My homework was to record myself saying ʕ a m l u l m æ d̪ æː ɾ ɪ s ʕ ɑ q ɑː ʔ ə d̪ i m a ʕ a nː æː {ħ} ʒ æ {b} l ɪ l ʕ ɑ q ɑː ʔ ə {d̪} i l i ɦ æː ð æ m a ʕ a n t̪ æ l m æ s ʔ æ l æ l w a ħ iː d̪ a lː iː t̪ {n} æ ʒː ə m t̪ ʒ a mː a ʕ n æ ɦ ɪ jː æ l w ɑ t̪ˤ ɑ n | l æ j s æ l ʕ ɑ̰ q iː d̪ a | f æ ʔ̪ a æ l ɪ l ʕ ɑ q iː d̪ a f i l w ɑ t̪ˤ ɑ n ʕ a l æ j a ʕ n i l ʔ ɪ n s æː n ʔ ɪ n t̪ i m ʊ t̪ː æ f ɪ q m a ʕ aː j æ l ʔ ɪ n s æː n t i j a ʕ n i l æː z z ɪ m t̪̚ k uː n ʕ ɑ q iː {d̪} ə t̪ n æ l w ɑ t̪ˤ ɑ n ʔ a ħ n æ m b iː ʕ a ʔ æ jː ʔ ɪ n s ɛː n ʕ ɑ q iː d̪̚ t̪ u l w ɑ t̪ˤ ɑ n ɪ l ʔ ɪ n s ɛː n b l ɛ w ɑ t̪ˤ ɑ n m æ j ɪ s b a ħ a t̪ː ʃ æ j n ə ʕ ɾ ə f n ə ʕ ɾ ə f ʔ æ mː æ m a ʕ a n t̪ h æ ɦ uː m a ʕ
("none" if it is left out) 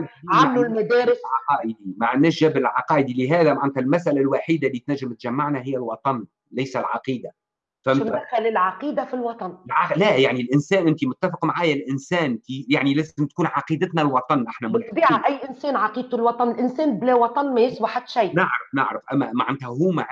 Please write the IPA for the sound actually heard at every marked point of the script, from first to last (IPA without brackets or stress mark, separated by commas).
ʃ, b, d̪, n, d̪